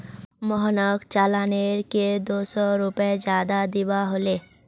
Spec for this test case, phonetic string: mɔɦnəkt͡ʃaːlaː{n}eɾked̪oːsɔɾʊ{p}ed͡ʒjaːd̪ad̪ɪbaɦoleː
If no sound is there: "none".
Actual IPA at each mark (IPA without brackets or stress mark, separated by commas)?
n, p